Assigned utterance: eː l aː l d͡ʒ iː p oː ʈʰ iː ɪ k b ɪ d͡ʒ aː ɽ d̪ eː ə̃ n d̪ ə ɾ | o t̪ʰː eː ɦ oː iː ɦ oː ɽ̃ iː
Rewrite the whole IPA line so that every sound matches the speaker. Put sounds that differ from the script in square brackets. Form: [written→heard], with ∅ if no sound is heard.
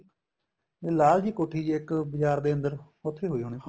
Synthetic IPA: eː l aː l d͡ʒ iː [p→k] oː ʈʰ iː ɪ k b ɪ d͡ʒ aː [ɽ→ɾ] d̪ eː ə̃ n d̪ ə ɾ | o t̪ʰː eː ɦ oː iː ɦ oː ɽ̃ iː